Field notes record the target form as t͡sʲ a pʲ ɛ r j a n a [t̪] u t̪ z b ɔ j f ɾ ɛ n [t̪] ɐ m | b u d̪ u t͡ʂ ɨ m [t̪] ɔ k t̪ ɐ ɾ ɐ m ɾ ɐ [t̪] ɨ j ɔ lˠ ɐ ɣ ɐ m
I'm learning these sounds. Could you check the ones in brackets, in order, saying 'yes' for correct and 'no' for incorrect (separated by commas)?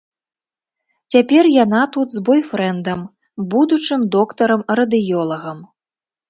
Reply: yes, no, no, no